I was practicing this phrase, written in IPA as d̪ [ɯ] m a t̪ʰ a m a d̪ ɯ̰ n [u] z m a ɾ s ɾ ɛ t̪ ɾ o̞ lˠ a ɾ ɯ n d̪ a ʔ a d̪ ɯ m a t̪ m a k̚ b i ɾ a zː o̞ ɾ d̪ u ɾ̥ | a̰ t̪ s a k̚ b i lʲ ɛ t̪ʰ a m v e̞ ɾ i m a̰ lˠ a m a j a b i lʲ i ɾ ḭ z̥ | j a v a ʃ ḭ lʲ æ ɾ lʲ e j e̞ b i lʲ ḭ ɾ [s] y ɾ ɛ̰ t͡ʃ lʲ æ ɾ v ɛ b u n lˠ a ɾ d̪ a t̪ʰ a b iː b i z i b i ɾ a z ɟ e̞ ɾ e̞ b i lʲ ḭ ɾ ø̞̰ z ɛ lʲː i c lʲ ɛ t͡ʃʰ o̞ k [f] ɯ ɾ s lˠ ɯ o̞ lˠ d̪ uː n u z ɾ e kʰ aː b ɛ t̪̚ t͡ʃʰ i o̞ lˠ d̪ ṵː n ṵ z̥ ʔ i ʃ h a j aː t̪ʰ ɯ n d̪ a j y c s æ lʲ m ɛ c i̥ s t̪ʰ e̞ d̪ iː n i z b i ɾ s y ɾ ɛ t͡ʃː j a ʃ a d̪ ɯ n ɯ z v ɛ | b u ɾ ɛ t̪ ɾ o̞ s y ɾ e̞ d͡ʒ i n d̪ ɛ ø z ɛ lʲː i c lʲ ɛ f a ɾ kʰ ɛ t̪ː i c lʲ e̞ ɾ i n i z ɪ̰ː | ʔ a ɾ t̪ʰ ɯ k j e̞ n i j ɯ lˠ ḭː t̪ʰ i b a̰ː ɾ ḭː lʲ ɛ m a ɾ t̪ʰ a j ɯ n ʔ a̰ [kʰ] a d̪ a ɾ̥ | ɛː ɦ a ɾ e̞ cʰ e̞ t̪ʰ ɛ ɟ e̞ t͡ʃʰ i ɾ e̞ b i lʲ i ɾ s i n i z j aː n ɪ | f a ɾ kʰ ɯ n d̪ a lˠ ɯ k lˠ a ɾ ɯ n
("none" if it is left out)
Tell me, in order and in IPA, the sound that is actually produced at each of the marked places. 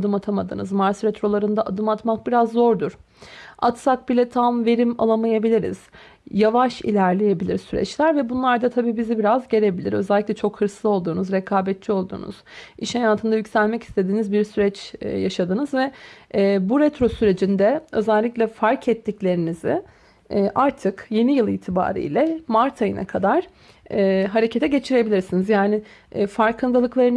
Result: ɯ, ɯ, s, h, kʰ

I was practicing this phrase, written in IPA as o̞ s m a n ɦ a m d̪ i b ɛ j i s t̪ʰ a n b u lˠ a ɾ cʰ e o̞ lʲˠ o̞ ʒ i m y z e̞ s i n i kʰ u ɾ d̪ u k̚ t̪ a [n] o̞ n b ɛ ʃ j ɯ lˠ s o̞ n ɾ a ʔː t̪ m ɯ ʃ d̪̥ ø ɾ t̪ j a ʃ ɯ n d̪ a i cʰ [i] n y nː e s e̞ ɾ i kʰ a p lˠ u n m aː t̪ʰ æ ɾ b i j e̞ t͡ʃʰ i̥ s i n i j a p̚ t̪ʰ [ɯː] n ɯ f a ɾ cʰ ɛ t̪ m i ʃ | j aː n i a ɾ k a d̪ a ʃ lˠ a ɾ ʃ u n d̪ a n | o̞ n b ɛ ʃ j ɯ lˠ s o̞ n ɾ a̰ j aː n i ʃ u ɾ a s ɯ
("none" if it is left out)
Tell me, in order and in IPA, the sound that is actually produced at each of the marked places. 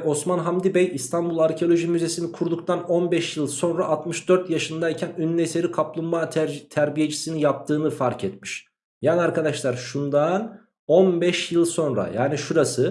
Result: n, æ, ɯː

